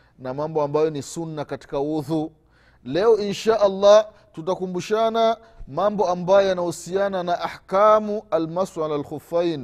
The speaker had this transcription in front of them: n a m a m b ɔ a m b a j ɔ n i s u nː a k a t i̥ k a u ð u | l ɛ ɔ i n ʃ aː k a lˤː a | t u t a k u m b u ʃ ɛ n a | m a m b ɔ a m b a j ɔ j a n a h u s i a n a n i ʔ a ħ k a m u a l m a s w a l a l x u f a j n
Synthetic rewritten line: n a m a m b ɔ a m b a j ɔ n i s u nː a k a t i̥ k a u ð u | l ɛ ɔ i n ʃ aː ʔ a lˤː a | t u t a k u m b u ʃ a n a | m a m b ɔ a m b a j ɔ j a n a h u s i a n a n a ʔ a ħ k a m u a l m a s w a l a l x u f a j n